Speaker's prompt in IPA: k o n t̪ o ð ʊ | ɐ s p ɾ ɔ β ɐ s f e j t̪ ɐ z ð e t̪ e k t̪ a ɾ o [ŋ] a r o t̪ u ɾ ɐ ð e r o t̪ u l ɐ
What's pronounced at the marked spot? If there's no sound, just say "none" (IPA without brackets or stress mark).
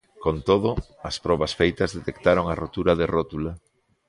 ŋ